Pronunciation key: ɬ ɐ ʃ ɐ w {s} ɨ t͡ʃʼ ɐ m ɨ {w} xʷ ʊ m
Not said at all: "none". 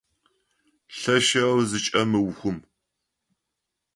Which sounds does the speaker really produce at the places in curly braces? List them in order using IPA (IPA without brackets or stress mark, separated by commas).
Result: z, w